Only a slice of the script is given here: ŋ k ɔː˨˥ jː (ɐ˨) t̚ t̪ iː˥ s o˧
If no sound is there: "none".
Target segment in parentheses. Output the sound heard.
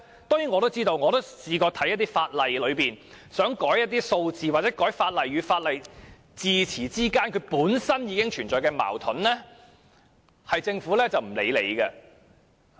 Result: ɐ˥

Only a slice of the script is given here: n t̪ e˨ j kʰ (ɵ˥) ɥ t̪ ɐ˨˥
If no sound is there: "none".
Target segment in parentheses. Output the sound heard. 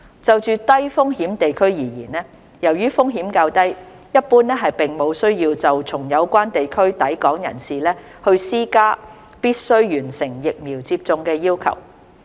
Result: ɵ˥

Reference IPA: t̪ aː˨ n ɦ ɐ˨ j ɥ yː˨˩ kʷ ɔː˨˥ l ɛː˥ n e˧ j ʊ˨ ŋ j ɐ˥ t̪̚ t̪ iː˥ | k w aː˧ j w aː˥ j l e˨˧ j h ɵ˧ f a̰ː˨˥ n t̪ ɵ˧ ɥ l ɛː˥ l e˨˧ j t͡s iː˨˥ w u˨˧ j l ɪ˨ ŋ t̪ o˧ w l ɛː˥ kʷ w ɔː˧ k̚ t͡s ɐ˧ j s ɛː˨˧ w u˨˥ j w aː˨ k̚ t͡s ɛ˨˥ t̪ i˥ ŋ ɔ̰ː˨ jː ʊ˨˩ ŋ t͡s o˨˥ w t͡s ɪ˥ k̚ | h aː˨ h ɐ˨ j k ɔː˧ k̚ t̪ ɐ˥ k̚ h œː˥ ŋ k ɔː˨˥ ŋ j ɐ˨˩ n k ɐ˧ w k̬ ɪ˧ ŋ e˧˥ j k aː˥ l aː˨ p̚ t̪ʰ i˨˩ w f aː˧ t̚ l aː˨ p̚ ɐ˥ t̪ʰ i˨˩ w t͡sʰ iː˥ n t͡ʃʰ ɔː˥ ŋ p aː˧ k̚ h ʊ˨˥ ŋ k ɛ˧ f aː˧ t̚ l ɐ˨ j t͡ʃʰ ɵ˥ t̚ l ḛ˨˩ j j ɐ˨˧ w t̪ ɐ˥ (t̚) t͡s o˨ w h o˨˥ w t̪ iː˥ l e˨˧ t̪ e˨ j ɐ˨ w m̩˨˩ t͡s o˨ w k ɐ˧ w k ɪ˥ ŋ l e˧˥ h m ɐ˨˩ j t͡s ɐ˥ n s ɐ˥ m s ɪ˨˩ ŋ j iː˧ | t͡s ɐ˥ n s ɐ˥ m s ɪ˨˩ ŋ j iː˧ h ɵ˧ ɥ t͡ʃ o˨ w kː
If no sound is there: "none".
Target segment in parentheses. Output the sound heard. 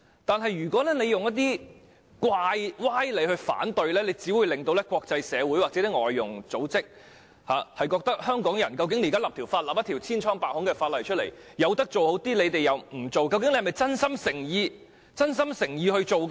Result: k̚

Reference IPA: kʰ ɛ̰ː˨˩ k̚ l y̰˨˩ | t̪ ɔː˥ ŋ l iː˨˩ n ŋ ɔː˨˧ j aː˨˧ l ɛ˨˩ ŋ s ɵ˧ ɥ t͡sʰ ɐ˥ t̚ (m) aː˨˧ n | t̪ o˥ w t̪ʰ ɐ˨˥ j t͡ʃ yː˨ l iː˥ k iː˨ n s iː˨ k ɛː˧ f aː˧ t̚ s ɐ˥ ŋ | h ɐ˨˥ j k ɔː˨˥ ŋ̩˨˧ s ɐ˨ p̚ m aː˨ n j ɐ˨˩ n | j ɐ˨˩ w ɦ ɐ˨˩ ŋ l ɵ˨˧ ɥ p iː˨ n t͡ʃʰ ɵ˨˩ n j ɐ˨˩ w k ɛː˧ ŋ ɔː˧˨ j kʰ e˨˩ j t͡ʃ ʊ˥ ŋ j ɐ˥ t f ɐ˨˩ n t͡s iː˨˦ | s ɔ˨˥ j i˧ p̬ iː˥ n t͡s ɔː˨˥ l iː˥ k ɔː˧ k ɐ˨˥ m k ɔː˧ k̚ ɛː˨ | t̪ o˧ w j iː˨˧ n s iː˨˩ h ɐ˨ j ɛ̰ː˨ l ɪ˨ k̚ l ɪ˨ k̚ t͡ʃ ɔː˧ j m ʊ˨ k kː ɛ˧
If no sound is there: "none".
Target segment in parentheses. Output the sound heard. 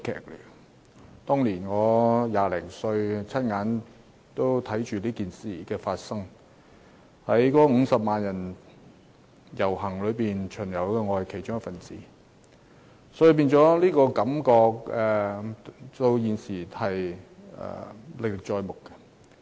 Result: ŋ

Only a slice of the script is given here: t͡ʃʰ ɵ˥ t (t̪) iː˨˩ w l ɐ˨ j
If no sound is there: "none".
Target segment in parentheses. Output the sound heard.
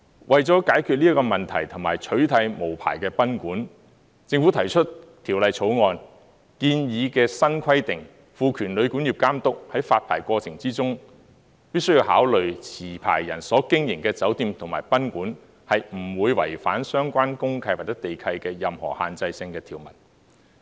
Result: t̪ʰ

